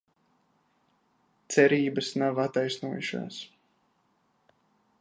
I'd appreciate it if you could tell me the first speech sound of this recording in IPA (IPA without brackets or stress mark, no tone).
t̪